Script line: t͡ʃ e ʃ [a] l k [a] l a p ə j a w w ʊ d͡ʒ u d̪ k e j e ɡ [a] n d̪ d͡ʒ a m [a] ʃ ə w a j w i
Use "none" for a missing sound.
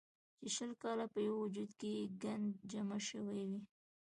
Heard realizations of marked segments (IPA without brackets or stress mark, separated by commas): ə, ɑ, a, a